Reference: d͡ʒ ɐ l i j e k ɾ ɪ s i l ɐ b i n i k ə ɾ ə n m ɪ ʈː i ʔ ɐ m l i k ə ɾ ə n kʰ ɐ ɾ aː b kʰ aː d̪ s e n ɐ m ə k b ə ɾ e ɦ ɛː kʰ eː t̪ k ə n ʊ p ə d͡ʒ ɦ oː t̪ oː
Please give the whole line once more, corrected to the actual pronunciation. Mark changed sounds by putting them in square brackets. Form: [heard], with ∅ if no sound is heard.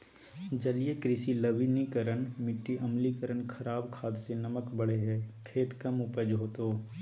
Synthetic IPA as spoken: d͡ʒ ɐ l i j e k ɾ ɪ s i l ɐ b i n i k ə ɾ ə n m ɪ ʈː i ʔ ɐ m l i k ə ɾ ə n kʰ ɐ ɾ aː b kʰ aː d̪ s e n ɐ m ə k b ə [ɽ] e ɦ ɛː kʰ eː t̪ k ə [m] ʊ p ə d͡ʒ ɦ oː t̪ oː

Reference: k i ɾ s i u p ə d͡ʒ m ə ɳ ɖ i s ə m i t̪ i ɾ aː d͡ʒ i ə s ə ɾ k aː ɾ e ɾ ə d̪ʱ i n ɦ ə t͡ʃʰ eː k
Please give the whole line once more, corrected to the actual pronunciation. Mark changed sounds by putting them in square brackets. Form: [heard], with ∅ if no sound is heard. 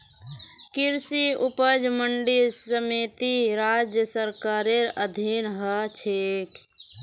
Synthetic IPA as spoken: k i ɾ s i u p ə d͡ʒ m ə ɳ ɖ i s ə m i t̪ i ɾ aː d͡ʒ [j] ə s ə ɾ k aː ɾ e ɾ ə d̪ʱ i n ɦ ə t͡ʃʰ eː k

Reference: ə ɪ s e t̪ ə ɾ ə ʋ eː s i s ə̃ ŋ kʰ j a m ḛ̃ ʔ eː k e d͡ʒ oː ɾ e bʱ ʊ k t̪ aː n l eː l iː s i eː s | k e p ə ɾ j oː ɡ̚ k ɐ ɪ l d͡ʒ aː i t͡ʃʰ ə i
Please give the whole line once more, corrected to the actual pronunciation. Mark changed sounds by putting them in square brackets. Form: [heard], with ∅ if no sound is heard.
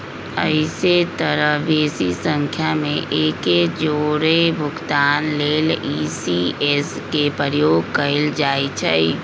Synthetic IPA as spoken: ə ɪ s e t̪ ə ɾ ə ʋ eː s i s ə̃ ŋ kʰ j a m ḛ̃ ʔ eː k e d͡ʒ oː ɾ e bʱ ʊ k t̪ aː n l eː l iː s i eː s | k e p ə ɾ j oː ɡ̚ k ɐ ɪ l d͡ʒ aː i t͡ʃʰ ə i

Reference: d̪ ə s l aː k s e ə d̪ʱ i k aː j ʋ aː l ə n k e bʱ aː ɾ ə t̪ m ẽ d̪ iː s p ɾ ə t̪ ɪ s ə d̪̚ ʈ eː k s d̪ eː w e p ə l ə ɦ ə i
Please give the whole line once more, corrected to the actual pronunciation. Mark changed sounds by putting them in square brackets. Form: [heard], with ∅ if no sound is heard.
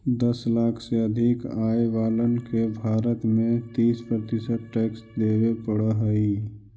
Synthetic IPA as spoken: d̪ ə s l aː [kʰ] s e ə d̪ʱ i k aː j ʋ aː l ə n k e bʱ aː ɾ ə t̪ m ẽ [t̪] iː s p ɾ ə t̪ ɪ s ə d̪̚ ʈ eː k s d̪ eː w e p ə [ɽ] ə ɦ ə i

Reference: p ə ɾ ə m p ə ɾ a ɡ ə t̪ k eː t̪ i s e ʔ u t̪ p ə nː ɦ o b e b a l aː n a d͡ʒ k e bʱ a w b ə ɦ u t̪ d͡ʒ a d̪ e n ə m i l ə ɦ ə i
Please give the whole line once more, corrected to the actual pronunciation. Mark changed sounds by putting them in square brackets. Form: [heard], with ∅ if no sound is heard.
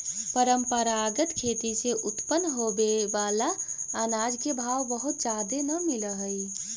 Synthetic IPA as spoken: p ə ɾ ə m p ə ɾ a ɡ ə t̪ [kʰ] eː t̪ i s e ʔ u t̪ p ə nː ɦ o b e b a l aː n a d͡ʒ k e bʱ a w b ə ɦ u t̪ d͡ʒ a d̪ e n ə m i l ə ɦ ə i

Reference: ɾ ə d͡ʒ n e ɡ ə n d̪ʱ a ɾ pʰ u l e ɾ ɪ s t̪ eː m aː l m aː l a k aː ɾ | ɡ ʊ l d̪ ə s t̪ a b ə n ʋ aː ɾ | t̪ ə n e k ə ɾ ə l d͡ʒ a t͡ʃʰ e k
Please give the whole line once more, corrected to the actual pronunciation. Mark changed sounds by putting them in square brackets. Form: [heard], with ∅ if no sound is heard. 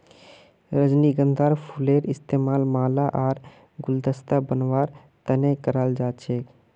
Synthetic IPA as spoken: ɾ ə d͡ʒ n [i] ɡ ə n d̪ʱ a ɾ pʰ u l e ɾ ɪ s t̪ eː m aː l m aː l a [ʔ] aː ɾ | ɡ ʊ l d̪ ə s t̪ a b ə n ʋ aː ɾ | t̪ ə n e k ə ɾ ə l d͡ʒ a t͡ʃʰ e k

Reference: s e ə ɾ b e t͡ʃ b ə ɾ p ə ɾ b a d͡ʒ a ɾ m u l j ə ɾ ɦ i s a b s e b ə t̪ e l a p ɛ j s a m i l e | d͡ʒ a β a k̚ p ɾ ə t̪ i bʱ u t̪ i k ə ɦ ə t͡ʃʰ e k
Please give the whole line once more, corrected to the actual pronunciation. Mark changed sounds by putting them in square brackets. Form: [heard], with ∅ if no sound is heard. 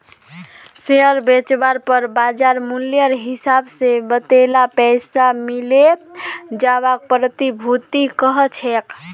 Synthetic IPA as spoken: s e ə ɾ b e t͡ʃ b [a] ɾ p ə ɾ b a d͡ʒ a ɾ m u l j ə ɾ ɦ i s a b s e b ə t̪ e l a p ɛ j s a m i l e | d͡ʒ a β a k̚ p ɾ ə t̪ i bʱ u t̪ i k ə ɦ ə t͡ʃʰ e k

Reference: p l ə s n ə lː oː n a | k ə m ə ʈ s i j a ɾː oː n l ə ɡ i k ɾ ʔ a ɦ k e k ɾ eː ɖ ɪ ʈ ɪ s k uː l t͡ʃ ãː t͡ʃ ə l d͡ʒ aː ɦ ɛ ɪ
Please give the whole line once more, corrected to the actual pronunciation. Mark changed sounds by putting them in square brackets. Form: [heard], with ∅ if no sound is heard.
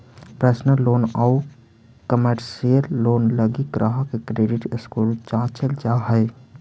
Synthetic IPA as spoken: p [ɾ] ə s n ə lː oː n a | k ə m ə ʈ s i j [ə] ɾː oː n l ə ɡ i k ɾ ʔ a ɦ k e k ɾ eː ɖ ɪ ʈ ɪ s k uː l t͡ʃ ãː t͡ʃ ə l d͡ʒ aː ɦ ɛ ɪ

